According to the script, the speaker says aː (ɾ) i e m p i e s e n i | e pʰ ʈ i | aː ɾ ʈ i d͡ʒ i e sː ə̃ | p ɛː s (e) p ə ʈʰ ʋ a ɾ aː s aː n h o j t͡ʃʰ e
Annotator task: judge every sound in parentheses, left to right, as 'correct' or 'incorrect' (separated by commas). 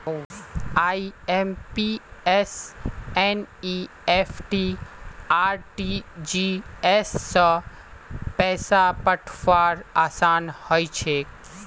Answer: incorrect, incorrect